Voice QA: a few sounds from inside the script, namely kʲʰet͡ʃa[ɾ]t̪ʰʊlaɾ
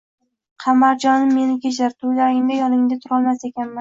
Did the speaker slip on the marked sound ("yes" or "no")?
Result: no